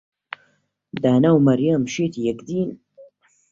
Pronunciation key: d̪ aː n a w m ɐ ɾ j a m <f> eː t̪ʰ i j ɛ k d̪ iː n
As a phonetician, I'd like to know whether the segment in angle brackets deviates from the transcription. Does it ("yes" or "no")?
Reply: yes